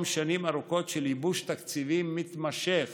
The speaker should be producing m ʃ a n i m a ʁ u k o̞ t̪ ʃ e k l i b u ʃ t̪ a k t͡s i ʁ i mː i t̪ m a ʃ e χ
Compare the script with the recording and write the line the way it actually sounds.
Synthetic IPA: m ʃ a n i m a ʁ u k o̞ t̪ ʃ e l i b u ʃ t̪ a k t͡s i v i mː i t̪ m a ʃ e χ